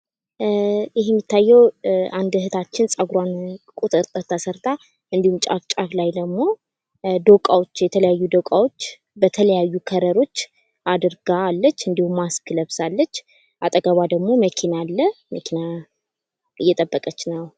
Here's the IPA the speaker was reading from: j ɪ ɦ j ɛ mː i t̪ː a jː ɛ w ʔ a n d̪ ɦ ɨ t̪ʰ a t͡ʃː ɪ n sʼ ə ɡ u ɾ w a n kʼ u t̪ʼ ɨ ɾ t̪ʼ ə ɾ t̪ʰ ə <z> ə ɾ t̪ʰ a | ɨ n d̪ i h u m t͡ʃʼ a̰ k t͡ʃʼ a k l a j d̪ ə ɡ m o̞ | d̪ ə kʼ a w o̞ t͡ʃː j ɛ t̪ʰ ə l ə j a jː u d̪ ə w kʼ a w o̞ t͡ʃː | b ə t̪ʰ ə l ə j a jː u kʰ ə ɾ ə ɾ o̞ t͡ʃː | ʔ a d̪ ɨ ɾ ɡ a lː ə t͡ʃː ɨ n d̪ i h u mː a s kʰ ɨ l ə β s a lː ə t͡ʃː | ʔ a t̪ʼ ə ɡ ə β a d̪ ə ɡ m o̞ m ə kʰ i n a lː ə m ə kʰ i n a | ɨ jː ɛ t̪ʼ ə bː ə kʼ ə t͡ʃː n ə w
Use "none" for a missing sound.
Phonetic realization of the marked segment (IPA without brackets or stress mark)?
s